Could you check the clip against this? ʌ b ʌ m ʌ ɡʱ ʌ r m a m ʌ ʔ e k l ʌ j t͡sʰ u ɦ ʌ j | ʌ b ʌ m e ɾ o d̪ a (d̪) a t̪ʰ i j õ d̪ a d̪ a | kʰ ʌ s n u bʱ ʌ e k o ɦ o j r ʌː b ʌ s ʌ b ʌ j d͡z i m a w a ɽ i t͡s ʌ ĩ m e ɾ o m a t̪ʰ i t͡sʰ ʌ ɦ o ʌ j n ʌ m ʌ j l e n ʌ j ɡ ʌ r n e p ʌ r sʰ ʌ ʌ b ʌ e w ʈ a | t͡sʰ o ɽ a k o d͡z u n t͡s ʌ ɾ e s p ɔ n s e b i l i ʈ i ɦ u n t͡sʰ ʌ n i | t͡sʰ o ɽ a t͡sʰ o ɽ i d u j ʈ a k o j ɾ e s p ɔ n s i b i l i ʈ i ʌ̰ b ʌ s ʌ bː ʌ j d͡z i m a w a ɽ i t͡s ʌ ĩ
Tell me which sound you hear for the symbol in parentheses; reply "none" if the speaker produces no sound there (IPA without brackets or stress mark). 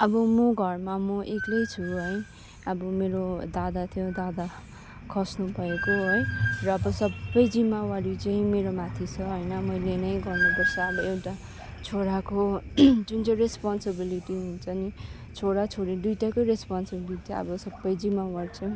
d̪